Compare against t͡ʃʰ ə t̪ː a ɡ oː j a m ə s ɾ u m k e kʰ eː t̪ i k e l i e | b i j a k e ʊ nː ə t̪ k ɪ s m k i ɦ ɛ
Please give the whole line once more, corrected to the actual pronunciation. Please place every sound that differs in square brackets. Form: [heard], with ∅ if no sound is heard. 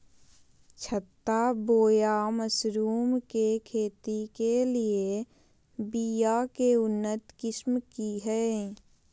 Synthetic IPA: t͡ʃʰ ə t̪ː a [b] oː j a m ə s ɾ [uː] m k e kʰ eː t̪ i k e l i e | b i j a k e ʊ nː ə t̪ k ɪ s m k i ɦ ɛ